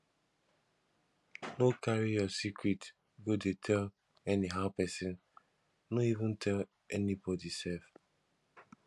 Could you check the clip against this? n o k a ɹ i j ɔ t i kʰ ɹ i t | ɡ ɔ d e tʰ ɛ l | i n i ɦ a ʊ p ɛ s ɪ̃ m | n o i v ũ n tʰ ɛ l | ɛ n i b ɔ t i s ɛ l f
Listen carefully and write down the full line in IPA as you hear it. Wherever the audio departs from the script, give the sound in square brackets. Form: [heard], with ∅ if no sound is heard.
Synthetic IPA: n o k a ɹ i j ɔ [s] i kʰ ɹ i t | ɡ [o] d e tʰ ɛ l | [ɛ] n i ɦ a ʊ p ɛ s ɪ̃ [n] | n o i v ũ n tʰ ɛ l | ɛ n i b ɔ [d] i s ɛ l f